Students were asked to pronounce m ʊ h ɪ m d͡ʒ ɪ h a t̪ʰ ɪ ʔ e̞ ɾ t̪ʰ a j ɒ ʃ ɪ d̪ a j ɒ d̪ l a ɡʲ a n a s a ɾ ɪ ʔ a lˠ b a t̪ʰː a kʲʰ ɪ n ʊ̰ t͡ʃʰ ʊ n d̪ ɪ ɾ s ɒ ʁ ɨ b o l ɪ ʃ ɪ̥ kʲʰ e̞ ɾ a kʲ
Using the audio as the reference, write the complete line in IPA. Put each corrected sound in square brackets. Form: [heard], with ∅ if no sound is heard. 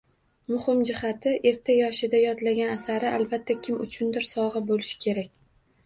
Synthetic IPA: m ʊ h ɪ m d͡ʒ ɪ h a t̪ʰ ɪ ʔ e̞ ɾ t̪ʰ a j ɒ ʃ ɪ d̪ a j ɒ d̪ l a ɡʲ a n a s a ɾ ɪ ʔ a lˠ b a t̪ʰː a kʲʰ ɪ [m] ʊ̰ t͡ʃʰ ʊ n d̪ ɪ ɾ s ɒ ʁ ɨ b o l ɪ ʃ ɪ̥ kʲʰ e̞ ɾ a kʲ